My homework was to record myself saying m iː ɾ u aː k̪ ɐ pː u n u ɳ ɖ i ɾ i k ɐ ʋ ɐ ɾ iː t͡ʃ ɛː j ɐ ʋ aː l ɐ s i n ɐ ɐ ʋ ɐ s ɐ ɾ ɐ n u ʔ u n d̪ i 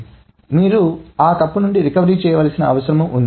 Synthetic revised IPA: m iː ɾ u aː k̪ ɐ pː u n u ɳ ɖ i ɾ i k ɐ ʋ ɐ ɾ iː t͡ʃ ɛː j ɐ ʋ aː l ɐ s i n ɐ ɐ ʋ ɐ s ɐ ɾ ɐ m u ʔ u n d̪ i